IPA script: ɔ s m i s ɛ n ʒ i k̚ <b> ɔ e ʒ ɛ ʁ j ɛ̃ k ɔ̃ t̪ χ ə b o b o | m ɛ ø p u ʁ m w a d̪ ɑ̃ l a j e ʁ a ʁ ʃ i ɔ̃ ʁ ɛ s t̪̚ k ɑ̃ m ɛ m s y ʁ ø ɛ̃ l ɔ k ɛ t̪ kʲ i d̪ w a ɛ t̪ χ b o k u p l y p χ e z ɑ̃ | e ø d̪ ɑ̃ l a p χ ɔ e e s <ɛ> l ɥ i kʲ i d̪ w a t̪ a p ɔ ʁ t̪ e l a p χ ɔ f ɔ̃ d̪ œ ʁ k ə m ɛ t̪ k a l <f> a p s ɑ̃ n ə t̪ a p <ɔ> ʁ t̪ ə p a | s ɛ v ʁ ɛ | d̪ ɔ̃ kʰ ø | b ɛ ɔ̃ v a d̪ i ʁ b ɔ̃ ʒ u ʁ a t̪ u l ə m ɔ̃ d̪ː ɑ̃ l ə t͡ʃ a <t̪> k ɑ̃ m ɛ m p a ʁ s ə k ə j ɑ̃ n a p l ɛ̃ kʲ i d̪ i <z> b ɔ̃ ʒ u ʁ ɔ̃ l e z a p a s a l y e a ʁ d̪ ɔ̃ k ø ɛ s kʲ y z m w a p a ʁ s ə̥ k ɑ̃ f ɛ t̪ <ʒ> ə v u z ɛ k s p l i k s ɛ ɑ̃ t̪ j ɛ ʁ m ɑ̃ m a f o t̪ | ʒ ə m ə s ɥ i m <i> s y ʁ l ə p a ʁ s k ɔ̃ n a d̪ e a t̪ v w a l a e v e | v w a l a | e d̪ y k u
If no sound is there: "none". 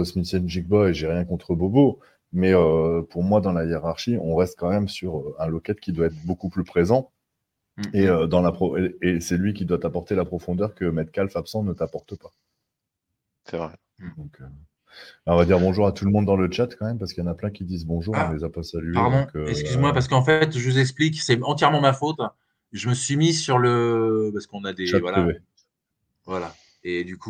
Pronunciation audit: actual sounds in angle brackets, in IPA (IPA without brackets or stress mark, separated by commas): b, ɛ, f, ɔ, t̪, z, ʒ, i